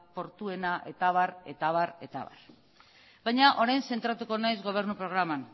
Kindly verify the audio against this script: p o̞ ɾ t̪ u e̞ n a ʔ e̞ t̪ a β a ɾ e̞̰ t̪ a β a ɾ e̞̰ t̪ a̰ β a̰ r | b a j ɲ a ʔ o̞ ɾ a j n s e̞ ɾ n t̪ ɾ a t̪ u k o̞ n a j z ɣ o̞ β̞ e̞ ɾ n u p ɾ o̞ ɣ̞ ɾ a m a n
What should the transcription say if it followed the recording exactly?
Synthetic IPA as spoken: p o̞ ɾ t̪ u e̞ n a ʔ e̞ t̪ a β a ɾ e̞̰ t̪ a β a ɾ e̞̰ t̪ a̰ β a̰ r | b a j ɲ a ʔ o̞ ɾ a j n s e̞ n t̪ ɾ a t̪ u k o̞ n a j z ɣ o̞ β̞ e̞ ɾ n u p ɾ o̞ ɣ̞ ɾ a m a n